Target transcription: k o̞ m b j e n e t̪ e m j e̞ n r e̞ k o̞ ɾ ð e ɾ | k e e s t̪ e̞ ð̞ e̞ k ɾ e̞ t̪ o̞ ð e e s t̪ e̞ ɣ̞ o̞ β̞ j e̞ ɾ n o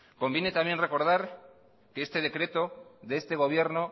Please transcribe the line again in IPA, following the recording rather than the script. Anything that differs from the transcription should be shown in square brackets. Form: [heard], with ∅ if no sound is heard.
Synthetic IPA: k o̞ m b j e n e t̪ [a] m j e̞ n r e̞ k o̞ ɾ ð [a] ɾ | k e e s t̪ e̞ ð̞ e̞ k ɾ e̞ t̪ o̞ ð e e s t̪ e̞ ɣ̞ o̞ β̞ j e̞ ɾ n o

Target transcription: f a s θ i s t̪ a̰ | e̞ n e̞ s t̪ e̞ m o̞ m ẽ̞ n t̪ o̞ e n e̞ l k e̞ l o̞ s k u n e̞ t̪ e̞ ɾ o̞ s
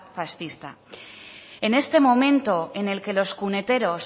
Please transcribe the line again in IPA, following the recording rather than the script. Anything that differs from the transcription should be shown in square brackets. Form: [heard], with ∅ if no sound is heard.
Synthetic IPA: f a s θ i s t̪ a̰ | e̞ n e̞ s t̪ e̞ m o̞ m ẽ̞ n t̪ o̞ e n e̞ l k e̞ l o̞ s k u n e̞ t̪ e̞ ɾ o̞ s

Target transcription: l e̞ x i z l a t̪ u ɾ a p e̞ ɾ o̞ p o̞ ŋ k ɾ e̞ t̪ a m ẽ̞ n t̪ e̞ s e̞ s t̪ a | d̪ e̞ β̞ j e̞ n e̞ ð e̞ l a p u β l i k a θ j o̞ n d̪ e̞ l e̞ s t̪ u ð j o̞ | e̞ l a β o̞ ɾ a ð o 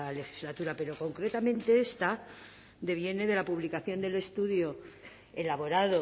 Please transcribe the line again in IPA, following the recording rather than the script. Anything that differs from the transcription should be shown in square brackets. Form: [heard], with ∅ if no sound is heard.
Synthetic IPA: l e̞ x i z l a t̪ u ɾ a p e̞ ɾ o̞ [k] o̞ ŋ k ɾ e̞ t̪ a m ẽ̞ n t̪ e̞ [∅] e̞ s t̪ a | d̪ e̞ β̞ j e̞ n e̞ ð e̞ l a p u β l i k a θ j o̞ n d̪ e̞ l e̞ s t̪ u ð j o̞ | e̞ l a β o̞ ɾ a ð o

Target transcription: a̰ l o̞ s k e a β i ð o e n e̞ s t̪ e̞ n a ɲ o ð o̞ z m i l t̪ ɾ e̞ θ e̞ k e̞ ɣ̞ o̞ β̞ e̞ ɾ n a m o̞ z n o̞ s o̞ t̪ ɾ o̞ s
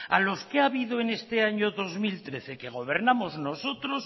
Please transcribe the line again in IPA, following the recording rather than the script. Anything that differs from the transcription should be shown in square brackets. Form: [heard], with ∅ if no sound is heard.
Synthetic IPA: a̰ l o̞ s k e a β i ð o e n e̞ s t̪ e̞ [∅] a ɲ o ð o̞ z m i l t̪ ɾ e̞ θ e̞ k e̞ ɣ̞ o̞ β̞ e̞ ɾ n a m o̞ z n o̞ s o̞ t̪ ɾ o̞ s

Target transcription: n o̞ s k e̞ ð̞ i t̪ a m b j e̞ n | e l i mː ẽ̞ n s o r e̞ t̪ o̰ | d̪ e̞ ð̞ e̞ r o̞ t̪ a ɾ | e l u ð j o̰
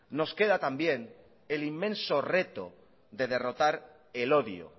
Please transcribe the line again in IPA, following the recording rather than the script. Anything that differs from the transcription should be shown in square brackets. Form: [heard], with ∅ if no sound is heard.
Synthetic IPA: n o̞ s k e̞ ð̞ [a] t̪ a m b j e̞ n | e l i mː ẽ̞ n s o r e̞ t̪ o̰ | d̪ e̞ ð̞ e̞ r o̞ t̪ a ɾ | e l [o] ð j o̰

